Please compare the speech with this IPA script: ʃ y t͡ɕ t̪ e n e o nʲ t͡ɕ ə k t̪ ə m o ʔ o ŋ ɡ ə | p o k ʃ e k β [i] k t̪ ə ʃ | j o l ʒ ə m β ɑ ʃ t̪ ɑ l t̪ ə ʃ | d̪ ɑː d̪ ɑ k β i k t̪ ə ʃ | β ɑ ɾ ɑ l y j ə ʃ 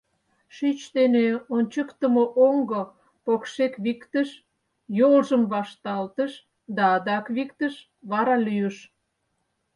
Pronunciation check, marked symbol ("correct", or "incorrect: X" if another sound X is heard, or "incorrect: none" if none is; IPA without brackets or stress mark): correct